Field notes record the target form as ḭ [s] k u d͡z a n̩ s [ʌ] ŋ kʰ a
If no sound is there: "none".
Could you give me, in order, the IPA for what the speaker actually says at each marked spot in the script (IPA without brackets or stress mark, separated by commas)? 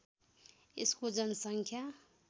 s, a